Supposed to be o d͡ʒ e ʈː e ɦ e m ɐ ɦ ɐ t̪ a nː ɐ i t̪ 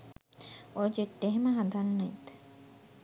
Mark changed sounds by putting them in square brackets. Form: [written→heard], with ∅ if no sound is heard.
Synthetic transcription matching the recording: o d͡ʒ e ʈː e ɦ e m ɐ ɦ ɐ [t̪→d̪] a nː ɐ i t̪